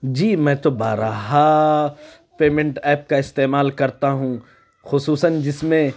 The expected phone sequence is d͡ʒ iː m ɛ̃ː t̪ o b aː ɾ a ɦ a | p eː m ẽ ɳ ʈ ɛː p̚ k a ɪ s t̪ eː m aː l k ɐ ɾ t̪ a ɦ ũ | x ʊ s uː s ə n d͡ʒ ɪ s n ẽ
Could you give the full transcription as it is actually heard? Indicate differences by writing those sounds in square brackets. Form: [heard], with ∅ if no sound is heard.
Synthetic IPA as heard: d͡ʒ iː m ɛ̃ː t̪ o b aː ɾ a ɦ a | p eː m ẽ ɳ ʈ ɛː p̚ k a ɪ s t̪ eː m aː l k ɐ ɾ t̪ a ɦ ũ | x ʊ s uː s ə n d͡ʒ ɪ s [m] ẽ